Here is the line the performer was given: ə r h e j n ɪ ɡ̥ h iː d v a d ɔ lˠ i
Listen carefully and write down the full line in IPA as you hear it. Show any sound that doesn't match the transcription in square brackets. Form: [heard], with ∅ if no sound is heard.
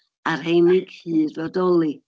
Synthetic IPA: [a] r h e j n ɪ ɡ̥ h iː d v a d ɔ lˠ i